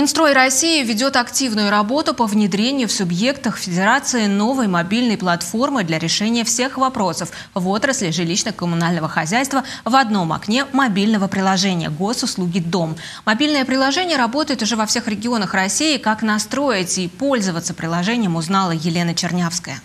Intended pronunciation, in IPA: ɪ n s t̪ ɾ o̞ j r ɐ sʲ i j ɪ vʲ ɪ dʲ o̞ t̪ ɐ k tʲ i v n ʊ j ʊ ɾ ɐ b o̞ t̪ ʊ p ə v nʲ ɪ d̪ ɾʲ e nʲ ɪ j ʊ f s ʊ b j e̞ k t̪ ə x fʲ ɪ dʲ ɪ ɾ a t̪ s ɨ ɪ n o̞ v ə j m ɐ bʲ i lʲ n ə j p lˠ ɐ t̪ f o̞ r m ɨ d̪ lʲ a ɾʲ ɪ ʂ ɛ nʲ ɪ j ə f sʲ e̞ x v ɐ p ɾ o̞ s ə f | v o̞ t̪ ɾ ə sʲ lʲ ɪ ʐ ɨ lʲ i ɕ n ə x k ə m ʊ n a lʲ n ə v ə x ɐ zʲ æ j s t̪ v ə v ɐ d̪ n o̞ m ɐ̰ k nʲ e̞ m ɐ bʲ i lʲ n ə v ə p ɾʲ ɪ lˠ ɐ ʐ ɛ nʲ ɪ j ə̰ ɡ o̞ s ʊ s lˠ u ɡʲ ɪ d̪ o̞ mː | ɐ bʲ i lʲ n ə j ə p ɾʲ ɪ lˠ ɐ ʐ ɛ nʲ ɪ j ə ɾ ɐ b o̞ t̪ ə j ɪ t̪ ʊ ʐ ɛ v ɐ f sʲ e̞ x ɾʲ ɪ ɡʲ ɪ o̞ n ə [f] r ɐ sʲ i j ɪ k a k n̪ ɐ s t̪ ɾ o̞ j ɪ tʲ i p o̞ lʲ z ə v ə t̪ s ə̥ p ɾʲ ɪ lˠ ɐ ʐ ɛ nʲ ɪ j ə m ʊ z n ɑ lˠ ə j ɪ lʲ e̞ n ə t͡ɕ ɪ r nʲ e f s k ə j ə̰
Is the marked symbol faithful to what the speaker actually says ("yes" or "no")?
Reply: no